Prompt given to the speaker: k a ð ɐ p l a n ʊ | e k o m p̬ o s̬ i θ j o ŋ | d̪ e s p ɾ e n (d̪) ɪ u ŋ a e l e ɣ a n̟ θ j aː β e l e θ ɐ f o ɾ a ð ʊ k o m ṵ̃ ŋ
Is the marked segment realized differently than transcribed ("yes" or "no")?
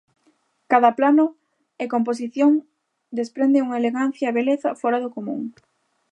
no